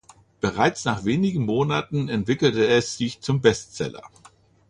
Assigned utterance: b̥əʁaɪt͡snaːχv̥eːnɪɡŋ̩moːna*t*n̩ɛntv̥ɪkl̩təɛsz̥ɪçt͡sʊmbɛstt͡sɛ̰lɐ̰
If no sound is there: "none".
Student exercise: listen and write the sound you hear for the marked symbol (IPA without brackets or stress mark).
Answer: t